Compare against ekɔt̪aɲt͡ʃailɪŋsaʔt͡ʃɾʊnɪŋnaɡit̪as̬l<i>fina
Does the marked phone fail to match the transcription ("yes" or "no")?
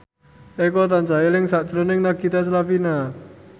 yes